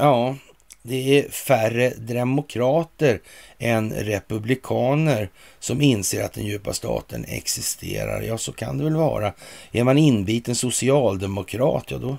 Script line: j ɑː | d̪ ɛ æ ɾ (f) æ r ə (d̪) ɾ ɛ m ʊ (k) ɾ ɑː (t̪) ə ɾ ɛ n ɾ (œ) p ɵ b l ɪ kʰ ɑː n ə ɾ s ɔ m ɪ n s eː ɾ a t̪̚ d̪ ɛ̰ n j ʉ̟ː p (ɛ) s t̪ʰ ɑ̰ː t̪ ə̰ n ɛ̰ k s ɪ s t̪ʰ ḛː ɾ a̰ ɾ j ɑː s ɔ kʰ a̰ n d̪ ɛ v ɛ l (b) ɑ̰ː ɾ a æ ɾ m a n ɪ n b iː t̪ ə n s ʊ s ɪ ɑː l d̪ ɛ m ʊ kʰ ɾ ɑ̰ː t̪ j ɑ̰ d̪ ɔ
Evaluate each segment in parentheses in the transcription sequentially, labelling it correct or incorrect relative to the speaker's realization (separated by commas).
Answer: correct, correct, incorrect, correct, incorrect, incorrect, incorrect